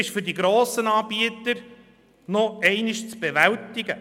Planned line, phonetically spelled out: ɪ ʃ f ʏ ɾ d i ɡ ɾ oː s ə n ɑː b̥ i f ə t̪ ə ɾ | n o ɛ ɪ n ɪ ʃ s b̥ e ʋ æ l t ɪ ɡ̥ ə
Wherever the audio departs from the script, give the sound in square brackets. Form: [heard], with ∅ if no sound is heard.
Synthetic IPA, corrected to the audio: ɪ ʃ f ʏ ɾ d i ɡ ɾ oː s ə n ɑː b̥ i [∅] ə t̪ ə ɾ | n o ɛ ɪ n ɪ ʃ [t͡s] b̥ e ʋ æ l t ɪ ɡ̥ ə

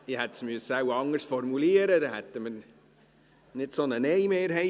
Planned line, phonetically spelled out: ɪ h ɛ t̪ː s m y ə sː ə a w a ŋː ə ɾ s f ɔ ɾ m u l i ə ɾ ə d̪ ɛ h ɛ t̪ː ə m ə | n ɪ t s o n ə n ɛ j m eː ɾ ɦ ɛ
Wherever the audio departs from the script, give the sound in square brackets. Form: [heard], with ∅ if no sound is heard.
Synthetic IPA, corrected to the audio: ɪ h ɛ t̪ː s m y ə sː ə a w [ɑ] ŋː ə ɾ s f ɔ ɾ m u l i ə ɾ ə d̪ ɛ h ɛ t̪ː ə m ə | n ɪ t s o n ə n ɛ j m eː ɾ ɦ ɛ

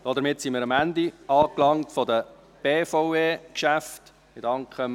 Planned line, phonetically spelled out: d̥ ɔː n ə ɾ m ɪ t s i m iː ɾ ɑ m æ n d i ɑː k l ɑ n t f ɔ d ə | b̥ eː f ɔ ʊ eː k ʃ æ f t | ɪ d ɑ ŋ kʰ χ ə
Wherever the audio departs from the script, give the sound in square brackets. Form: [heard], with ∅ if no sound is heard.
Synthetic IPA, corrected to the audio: d̥ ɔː [d] ə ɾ m ɪ t s i m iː ɾ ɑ m æ n d i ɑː k l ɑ [ŋ] t f ɔ d ə | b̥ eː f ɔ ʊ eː k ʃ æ f t | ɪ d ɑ ŋ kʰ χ ə

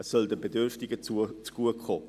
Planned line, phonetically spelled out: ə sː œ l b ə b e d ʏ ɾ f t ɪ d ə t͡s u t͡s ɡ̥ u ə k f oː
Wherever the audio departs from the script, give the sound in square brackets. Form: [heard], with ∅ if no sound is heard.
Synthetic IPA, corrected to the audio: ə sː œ l [d] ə b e d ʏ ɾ f t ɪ [ɡ] ə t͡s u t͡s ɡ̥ u ə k [χ] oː

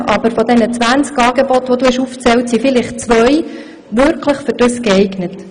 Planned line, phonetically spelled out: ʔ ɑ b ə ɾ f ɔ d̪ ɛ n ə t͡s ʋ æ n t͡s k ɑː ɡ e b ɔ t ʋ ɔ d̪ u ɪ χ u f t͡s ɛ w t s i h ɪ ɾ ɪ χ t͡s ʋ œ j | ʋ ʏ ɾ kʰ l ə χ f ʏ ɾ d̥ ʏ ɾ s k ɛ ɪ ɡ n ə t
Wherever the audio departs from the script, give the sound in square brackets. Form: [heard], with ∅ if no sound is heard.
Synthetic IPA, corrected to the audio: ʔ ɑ b ə ɾ f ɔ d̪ ɛ n ə t͡s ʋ æ n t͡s k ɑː ɡ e b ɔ t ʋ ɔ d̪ u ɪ [ʃ] u f t͡s ɛ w t s i [f] ɪ [l] ɪ χ t͡s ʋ œ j | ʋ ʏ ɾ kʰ l ə χ f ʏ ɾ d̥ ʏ [∅] s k ɛ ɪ ɡ n ə t

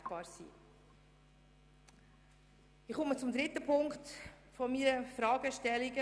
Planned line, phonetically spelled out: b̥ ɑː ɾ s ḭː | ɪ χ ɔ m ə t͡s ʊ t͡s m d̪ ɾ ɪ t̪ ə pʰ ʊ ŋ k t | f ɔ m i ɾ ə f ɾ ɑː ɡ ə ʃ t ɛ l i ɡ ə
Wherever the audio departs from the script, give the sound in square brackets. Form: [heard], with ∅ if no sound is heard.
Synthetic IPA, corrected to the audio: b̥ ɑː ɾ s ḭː | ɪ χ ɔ m ə t͡s ʊ [∅] m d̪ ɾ ɪ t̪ ə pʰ ʊ ŋ k t | f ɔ m i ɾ ə f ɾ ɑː ɡ ə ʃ t ɛ l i ɡ ə

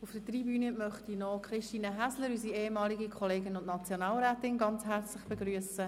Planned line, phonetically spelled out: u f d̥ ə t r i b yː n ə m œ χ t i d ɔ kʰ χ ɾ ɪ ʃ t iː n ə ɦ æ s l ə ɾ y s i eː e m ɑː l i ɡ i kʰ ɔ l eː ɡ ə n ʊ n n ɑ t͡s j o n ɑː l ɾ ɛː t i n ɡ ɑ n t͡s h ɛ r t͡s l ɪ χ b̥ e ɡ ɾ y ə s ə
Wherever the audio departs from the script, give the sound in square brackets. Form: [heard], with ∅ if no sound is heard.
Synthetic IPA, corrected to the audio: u f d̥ ə t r i b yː n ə m œ χ t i [n] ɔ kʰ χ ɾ ɪ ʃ t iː n ə ɦ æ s l ə ɾ y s i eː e m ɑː l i ɡ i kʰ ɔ l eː ɡ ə n ʊ n n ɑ t͡s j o n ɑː l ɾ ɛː t [ɪ] n ɡ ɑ n t͡s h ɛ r t͡s l ɪ χ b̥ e ɡ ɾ y ə s ə

